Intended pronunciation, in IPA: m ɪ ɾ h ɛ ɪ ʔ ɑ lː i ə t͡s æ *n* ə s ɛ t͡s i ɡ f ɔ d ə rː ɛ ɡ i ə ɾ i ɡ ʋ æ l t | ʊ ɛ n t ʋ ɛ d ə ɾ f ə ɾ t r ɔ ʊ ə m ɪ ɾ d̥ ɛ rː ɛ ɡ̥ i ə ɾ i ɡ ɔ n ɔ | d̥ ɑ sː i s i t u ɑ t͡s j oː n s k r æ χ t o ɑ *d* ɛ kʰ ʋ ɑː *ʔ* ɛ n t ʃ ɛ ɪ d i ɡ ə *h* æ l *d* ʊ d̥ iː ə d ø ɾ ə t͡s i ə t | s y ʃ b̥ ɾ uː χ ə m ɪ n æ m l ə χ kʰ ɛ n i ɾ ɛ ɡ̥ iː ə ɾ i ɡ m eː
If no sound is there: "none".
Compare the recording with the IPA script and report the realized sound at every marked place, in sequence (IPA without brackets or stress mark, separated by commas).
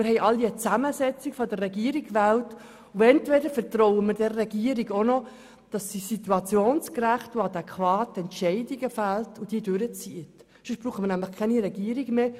m, d, t, f, t